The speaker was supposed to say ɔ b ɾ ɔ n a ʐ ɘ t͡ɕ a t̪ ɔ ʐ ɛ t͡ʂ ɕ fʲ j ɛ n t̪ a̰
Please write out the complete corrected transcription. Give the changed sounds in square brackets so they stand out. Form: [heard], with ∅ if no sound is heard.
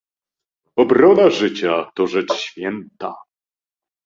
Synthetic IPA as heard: ɔ b ɾ ɔ n a ʐ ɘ t͡ɕ a t̪ ɔ ʐ ɛ t͡ʂ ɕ fʲ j ɛ n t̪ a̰